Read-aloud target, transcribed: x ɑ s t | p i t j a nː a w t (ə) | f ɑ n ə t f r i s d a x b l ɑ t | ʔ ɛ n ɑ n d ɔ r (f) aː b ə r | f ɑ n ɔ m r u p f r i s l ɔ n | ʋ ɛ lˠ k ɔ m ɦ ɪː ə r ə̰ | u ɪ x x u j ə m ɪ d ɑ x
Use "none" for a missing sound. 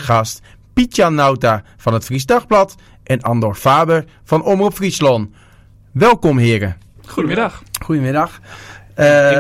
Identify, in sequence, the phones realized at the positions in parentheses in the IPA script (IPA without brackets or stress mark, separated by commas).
a, f